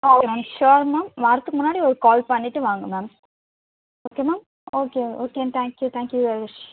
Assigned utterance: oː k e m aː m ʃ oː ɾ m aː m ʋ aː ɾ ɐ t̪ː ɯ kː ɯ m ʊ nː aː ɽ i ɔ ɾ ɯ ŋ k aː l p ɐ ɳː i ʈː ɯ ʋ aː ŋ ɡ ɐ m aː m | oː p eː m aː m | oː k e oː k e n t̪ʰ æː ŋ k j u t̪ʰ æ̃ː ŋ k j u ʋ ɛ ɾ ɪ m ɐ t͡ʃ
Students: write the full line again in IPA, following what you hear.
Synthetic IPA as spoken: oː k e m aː m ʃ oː ɾ m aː m ʋ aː ɾ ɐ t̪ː ɯ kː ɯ m ʊ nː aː ɽ i ɔ ɾ ɯ k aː l p ɐ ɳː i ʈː ɯ ʋ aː ŋ ɡ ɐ m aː m | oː k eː m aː m | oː k e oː k e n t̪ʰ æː ŋ k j u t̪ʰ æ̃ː ŋ k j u ʋ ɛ ɾ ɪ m ɐ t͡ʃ